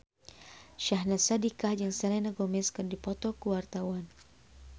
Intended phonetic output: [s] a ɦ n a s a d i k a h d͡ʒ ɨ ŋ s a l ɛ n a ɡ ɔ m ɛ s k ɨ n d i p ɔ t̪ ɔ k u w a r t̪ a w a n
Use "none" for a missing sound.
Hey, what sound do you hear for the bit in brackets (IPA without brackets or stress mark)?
ʃ